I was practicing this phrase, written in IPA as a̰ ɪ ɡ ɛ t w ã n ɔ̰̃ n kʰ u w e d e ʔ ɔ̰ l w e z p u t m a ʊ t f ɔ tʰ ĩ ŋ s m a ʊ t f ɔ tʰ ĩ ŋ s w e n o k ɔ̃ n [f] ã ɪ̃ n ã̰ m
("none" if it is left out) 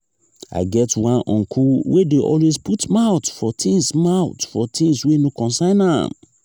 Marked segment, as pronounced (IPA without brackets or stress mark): s